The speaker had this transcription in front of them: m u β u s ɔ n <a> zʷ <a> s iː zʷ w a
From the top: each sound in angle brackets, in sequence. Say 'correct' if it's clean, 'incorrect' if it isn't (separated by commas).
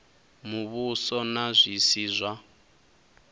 correct, incorrect